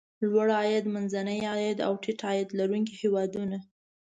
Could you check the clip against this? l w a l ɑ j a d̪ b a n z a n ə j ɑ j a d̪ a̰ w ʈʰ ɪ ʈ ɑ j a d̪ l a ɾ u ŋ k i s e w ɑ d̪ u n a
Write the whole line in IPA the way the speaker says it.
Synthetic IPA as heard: l w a ɽ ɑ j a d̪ m a n z a n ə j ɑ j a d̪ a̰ w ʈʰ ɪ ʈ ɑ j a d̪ l a ɾ u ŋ k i h e w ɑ d̪ u n a